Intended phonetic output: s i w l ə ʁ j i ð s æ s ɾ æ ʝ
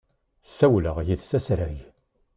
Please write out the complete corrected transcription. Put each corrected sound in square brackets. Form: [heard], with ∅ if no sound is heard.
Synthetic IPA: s [æ] w l ə ʁ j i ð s æ s ɾ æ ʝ